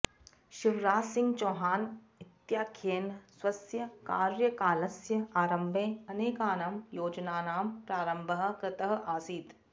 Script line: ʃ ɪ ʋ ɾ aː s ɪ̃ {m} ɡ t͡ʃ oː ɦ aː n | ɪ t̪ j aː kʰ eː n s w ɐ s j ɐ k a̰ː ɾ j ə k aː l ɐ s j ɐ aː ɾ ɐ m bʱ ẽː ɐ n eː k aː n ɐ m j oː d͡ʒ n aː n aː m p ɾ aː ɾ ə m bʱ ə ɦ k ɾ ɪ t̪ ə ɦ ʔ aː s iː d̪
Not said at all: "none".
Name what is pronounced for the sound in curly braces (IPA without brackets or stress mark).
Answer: ŋ